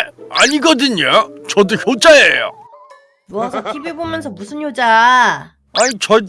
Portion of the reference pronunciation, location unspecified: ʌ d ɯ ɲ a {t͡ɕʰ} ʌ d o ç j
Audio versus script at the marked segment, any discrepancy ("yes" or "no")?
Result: yes